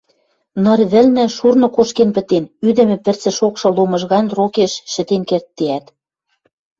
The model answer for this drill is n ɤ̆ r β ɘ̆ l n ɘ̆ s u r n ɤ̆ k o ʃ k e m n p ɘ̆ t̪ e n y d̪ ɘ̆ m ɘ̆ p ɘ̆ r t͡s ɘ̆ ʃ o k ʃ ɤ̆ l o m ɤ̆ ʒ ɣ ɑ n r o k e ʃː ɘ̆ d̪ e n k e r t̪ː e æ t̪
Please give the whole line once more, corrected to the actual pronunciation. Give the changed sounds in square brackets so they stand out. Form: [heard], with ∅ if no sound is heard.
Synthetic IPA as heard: n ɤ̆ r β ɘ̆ l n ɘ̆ [ʃ] u r n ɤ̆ k o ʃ k e [∅] n p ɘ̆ t̪ e n y d̪ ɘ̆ m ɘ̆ p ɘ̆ r t͡s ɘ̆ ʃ o k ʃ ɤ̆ l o m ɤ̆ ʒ ɣ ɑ n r o k e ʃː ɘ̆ [t̪] e n k e r t̪ː e æ t̪